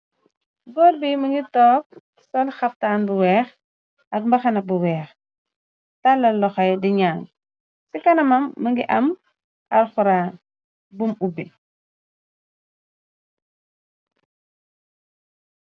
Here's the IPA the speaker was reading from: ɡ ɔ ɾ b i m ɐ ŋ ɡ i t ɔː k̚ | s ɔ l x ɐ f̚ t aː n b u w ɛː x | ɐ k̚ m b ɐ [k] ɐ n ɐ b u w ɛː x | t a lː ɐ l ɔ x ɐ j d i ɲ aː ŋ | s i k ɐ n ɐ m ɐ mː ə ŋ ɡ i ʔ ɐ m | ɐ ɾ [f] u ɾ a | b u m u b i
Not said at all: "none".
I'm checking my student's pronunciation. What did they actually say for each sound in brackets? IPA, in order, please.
x, x

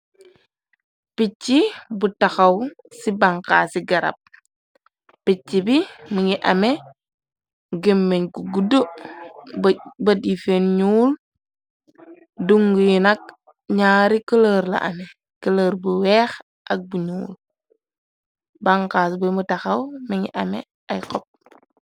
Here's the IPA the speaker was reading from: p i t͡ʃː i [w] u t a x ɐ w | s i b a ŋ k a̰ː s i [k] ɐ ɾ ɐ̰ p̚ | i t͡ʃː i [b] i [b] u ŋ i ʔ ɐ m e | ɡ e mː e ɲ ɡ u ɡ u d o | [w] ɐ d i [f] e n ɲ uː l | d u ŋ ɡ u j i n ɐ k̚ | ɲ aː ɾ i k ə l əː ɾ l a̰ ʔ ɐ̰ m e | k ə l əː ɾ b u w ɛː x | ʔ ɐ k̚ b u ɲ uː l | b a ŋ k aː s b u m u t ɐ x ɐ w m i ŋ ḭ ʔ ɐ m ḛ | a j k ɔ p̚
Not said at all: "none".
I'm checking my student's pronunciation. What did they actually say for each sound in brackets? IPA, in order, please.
b, ɡ, b, m, b, f

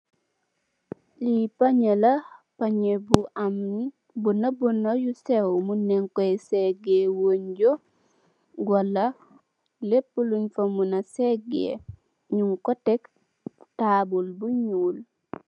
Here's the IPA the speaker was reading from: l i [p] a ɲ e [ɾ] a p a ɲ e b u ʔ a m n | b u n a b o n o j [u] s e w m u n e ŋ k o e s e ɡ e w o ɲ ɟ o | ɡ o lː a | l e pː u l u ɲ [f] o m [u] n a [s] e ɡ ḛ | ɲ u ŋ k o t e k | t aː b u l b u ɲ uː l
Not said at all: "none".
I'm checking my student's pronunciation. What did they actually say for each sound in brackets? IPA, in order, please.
p, l, u, f, u, s

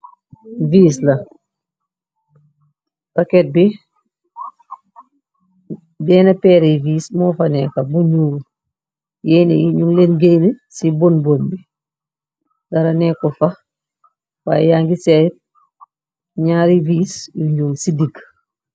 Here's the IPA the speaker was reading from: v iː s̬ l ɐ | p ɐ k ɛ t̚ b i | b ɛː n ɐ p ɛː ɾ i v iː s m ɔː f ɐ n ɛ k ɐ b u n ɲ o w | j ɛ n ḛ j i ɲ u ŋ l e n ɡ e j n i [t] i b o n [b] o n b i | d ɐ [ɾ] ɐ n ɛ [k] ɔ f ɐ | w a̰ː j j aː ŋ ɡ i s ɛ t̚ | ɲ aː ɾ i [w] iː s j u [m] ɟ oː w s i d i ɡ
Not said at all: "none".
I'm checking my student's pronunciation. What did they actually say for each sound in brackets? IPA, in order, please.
s, b, ɾ, k, v, ɲ

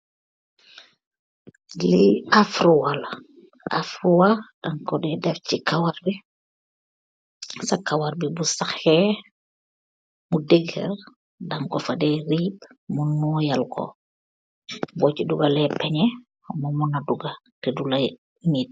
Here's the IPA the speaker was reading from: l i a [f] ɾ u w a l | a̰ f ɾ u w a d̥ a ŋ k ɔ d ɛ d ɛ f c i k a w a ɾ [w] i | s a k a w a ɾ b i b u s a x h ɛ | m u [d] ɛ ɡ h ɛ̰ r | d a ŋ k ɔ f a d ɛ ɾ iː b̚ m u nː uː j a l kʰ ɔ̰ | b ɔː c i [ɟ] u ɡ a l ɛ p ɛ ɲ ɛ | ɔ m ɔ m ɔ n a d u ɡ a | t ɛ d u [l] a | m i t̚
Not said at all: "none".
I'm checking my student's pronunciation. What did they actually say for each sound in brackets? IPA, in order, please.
f, b, d, d, l

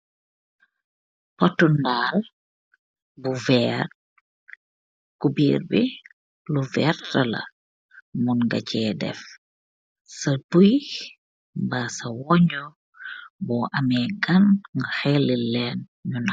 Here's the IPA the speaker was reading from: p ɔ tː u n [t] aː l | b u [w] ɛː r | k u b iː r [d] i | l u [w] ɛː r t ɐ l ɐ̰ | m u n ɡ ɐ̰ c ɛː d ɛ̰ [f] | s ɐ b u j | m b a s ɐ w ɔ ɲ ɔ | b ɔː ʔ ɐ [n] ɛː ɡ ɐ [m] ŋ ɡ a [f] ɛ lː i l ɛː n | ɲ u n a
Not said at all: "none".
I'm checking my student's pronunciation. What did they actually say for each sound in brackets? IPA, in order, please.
d, v, b, v, f, m, n, x

